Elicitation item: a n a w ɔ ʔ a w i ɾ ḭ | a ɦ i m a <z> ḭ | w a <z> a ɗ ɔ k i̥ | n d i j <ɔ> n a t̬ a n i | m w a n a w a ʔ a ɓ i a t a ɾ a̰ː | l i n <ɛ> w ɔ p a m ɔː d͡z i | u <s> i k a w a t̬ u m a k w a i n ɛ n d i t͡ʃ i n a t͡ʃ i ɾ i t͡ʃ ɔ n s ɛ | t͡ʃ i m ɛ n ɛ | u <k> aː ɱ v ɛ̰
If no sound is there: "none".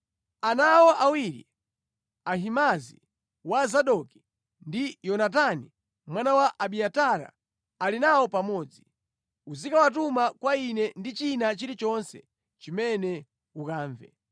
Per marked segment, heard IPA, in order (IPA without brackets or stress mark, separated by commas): z, z, ɔ, a, z, k